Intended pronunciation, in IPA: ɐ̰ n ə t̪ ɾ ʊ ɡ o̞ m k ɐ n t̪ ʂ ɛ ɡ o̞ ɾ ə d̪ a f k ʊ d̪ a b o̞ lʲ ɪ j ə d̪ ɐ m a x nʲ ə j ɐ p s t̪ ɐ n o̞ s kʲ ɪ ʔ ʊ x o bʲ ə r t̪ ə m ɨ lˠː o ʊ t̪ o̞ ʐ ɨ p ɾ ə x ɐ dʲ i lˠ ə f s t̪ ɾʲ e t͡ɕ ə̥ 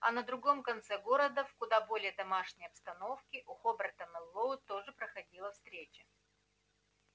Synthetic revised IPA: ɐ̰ n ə d̪ ɾ ʊ ɡ o̞ m k ɐ n t̪ s ɛ ɡ o̞ ɾ ə d̪ ə f k ʊ d̪ a b o̞ lʲ ɪ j ə d̪ ɐ m a ʂ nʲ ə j ɐ p s t̪ ɐ n o̞ f kʲ ɪ ʔ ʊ x o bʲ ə r t̪ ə m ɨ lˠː o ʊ t̪ o̞ ʐ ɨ p ɾ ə x ɐ dʲ i lˠ ə f s t̪ ɾʲ e t͡ɕ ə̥

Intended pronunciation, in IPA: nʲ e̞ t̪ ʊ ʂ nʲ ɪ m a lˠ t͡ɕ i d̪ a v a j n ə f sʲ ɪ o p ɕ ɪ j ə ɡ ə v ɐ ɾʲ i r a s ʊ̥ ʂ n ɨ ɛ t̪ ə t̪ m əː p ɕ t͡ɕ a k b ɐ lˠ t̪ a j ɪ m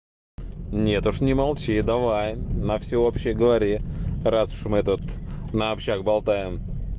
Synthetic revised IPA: nʲ e̞ t̪ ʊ ʂ nʲ ɪ m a lˠ t͡ɕ i d̪ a v a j n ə f sʲ ɪ o p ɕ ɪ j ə ɡ ə v ɐ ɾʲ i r a s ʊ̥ ʂ m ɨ ɛ t̪ ə t̪ n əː p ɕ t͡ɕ a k b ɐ lˠ t̪ a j ɪ m

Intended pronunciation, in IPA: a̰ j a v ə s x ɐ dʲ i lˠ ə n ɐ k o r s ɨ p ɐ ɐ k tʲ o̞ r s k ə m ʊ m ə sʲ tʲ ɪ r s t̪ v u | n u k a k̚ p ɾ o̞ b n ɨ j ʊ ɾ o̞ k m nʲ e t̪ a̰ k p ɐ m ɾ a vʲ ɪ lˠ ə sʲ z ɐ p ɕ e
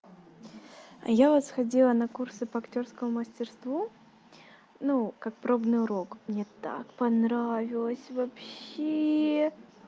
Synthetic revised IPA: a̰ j a v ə s x ɐ dʲ i lˠ ə n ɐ k u r s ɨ p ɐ ɐ k tʲ o̞ r s k ə m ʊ m ə sʲ tʲ ɪ r s t̪ v u | n u k a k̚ p ɾ o̞ b n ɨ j ʊ ɾ o̞ k m nʲ e t̪ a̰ k p ɐ n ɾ a vʲ ɪ lˠ ə sʲ v ɐ p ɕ e

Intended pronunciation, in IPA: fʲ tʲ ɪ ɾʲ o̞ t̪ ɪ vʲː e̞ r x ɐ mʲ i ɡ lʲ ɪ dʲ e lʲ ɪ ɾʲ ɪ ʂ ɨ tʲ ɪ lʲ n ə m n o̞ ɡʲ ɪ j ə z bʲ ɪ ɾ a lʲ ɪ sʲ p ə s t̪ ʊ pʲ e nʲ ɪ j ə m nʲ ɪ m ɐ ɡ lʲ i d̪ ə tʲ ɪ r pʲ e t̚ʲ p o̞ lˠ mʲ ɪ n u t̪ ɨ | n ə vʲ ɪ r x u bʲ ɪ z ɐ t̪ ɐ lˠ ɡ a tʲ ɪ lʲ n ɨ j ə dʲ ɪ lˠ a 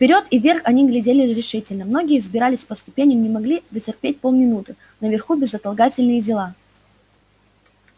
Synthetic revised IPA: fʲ pʲ ɪ ɾʲ o̞ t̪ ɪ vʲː e̞ r x ɐ nʲ i ɡ lʲ ɪ dʲ e lʲ ɪ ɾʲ ɪ ʂ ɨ tʲ ɪ lʲ n ə m n o̞ ɡʲ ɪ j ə z bʲ ɪ ɾ a lʲ ɪ sʲ p ə s t̪ ʊ pʲ e nʲ ɪ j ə m nʲ ɪ m ɐ ɡ lʲ i d̪ ə tʲ ɪ r pʲ e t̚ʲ p o̞ lˠ mʲ ɪ n u t̪ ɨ | n ə vʲ ɪ r x u bʲ ɪ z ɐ t̪ ɐ lˠ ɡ a tʲ ɪ lʲ n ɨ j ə dʲ ɪ lˠ a

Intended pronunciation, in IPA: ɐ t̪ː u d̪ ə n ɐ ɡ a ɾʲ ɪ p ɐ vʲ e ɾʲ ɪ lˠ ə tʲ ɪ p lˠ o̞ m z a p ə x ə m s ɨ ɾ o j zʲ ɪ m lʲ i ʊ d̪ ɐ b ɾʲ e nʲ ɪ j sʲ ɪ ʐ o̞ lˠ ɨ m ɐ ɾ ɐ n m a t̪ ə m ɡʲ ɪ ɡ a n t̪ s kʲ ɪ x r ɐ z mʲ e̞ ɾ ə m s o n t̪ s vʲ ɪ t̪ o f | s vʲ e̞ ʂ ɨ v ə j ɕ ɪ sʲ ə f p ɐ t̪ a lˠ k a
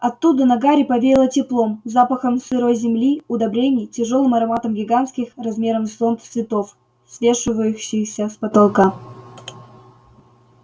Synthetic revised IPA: ɐ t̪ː u d̪ ə n ɐ ɡ a ɾʲ ɪ p ɐ vʲ e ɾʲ ɪ lˠ ə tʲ ɪ p lˠ o̞ m z a p ə x ə m s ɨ ɾ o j zʲ ɪ m lʲ i ʊ d̪ ɐ b ɾʲ e nʲ ɪ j tʲ ɪ ʐ o̞ lˠ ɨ m ɐ ɾ ɐ m a t̪ ə m ɡʲ ɪ ɡ a n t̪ s kʲ ɪ x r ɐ z mʲ e̞ ɾ ə m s o n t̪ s vʲ ɪ t̪ o f | s vʲ e̞ ʂ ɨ v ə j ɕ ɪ sʲ ə s p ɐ t̪ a lˠ k a

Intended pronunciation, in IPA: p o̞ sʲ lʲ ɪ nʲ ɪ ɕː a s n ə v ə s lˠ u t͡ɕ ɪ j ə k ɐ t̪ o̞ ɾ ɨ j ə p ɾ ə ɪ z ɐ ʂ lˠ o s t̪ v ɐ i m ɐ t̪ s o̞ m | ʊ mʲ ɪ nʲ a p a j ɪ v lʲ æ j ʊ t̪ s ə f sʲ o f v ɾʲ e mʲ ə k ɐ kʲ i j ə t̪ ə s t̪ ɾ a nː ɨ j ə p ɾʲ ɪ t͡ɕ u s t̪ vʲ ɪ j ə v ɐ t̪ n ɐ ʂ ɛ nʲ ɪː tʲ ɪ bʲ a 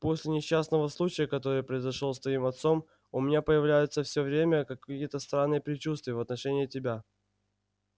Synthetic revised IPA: p o̞ sʲ lʲ ɪ nʲ ɪ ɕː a s n ə v ə s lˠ u t͡ɕ ɪ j ə k ɐ t̪ o̞ ɾ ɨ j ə p ɾ ə ɪ z ɐ ʂ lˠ o s t̪ v ɐ i m ɐ t̪ s o̞ m | ʊ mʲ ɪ nʲ a p ə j ɪ v lʲ æ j ʊ t̪ s ə f sʲ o v ɾʲ e mʲ ə k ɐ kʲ i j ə t̪ ə s t̪ ɾ a nː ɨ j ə p ɾʲ ɪ t͡ɕ u s t̪ vʲ ɪ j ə v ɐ t̪ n ɐ ʂ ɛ nʲ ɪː tʲ ɪ bʲ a

